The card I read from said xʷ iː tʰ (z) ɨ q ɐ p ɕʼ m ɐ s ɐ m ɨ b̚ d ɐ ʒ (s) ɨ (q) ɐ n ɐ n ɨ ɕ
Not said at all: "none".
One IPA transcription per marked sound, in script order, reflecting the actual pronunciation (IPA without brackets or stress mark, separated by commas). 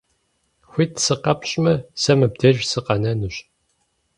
s, s, q